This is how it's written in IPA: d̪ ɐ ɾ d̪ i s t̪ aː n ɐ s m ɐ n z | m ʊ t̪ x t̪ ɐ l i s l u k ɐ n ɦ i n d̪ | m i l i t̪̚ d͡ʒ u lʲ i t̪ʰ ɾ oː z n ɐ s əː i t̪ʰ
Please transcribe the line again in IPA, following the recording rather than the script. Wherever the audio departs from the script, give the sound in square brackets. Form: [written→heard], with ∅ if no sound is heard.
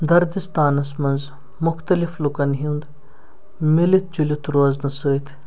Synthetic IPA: d̪ ɐ ɾ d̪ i s t̪ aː n ɐ s m ɐ n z | m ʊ [t̪→∅] x t̪ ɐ l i [s→f] l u k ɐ n ɦ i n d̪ | m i l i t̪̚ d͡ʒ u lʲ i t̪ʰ ɾ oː z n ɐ s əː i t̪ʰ